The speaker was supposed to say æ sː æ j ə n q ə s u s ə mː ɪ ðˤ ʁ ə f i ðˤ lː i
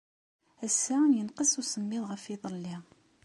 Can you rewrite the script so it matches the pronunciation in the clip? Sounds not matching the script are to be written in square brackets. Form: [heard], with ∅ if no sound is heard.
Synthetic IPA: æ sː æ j ə n q ə s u s ə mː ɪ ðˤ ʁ ə f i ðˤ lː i